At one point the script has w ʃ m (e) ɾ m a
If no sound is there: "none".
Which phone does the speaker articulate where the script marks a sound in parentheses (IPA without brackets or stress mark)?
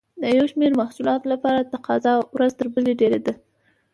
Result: e